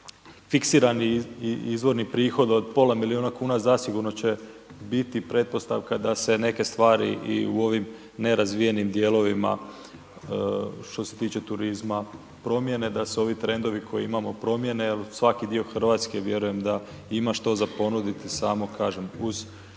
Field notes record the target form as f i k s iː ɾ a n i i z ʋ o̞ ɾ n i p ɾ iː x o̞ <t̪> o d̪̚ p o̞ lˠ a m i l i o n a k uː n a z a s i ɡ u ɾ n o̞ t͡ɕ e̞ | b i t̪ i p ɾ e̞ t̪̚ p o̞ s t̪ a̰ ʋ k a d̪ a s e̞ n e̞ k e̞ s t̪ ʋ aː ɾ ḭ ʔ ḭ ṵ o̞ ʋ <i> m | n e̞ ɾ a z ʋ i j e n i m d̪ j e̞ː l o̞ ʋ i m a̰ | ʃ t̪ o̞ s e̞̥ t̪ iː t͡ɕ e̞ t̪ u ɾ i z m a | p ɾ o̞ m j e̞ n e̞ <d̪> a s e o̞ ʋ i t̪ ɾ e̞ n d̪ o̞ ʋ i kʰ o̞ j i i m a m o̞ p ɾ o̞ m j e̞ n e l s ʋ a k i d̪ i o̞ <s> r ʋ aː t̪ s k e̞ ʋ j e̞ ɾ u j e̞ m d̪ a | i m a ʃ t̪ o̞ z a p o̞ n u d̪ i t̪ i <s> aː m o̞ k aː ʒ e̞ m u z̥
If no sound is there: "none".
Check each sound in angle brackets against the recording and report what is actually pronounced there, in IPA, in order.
d̪, i, d̪, x, s

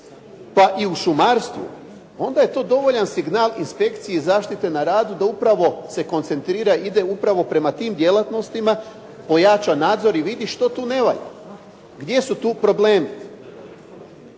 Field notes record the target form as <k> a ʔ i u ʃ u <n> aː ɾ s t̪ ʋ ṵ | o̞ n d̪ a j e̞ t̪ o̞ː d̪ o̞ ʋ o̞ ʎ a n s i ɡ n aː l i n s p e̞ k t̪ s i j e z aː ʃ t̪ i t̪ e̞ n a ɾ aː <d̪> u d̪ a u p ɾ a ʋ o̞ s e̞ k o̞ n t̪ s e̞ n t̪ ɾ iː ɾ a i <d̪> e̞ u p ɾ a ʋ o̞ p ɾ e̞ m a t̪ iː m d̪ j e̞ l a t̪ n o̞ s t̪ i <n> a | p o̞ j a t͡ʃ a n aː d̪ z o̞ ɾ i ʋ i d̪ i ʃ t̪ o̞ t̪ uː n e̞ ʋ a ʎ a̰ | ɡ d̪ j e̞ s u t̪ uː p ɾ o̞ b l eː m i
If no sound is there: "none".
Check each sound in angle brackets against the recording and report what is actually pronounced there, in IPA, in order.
p, m, d̪, d̪, m

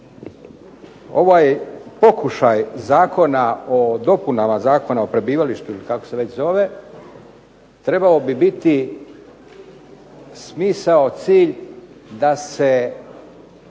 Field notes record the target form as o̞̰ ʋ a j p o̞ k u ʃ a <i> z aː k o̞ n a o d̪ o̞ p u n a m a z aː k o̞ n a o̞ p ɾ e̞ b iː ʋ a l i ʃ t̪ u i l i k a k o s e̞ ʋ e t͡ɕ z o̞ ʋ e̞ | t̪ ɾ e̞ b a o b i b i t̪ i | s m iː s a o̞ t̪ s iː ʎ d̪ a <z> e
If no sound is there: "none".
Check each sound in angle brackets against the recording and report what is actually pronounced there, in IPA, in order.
j, s

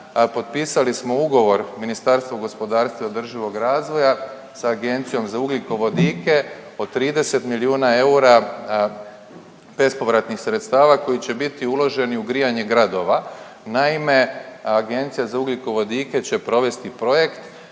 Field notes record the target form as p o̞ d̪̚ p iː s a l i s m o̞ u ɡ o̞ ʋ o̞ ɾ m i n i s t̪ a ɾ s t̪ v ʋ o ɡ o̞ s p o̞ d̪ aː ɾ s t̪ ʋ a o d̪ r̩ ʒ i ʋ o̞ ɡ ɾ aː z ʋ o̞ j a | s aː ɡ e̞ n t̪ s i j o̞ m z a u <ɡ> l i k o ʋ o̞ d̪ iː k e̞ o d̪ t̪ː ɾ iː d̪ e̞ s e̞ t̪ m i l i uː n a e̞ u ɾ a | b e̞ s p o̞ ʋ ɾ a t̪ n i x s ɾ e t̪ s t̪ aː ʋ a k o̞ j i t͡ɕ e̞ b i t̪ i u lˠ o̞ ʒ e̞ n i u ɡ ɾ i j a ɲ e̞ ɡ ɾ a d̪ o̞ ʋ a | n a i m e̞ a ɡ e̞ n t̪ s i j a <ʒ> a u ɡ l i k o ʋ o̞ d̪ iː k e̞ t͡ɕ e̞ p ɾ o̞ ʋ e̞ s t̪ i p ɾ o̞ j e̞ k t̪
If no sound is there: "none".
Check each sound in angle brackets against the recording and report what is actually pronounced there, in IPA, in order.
ɡ, z

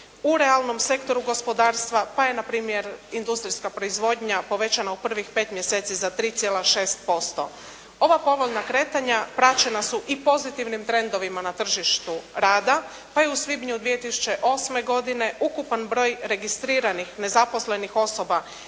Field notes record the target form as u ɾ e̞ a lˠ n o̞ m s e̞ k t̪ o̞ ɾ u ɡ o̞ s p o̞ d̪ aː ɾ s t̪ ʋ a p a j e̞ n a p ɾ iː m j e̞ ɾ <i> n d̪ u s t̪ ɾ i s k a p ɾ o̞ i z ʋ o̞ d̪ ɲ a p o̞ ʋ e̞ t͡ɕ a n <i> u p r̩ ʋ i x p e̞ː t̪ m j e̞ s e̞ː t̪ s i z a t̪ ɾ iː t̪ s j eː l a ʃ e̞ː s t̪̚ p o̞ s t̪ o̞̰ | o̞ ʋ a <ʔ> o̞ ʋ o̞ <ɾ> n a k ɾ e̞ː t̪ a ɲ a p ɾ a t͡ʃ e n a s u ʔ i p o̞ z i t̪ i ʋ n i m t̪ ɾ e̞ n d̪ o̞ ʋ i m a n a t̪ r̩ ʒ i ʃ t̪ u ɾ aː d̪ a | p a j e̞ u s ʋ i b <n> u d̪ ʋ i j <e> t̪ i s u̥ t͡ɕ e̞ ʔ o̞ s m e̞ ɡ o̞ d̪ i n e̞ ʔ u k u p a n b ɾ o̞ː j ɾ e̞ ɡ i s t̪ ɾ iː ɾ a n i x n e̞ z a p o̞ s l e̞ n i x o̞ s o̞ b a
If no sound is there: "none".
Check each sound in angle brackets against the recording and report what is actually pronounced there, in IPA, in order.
i, a, p, ʎ, ɲ, e

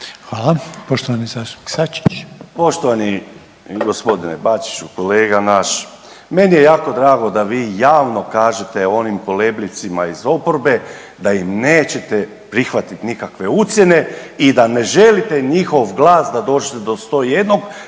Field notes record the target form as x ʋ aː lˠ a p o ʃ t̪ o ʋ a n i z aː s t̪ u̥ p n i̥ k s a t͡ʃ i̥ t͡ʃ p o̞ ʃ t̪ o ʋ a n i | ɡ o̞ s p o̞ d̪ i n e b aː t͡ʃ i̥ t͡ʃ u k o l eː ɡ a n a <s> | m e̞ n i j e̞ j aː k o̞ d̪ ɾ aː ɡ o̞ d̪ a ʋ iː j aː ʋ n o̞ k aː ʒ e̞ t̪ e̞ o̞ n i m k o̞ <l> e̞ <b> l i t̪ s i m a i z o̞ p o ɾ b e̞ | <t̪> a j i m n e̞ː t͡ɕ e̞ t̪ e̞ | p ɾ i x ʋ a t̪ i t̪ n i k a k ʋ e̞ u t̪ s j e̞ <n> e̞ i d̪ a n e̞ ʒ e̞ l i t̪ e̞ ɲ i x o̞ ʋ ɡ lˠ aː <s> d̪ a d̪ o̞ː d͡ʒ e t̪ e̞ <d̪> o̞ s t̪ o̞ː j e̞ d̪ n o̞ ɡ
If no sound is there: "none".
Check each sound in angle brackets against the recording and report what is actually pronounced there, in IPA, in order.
ʃ, l, b, d̪, n, s, d̪

